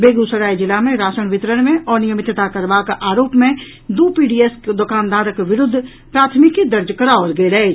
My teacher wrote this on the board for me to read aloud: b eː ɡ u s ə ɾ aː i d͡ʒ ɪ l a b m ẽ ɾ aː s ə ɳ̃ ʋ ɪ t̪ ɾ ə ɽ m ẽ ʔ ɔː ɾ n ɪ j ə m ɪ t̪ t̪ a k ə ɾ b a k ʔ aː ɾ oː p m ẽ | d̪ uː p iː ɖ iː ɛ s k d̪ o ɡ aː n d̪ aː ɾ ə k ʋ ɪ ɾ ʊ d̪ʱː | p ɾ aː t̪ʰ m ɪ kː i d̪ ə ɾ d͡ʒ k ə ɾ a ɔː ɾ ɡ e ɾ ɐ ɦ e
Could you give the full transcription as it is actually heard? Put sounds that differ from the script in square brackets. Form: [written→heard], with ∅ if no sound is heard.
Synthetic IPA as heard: b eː ɡ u s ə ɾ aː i d͡ʒ ɪ l a [b→∅] m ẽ ɾ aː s ə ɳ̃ ʋ ɪ t̪ ɾ ə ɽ m ẽ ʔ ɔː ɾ n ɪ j ə m ɪ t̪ t̪ a k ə ɾ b a k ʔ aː ɾ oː p m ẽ | d̪ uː p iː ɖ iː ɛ s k d̪ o [ɡ→k] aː n d̪ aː ɾ ə k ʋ ɪ ɾ ʊ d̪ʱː | p ɾ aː t̪ʰ m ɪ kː i d̪ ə ɾ d͡ʒ k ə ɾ a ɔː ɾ ɡ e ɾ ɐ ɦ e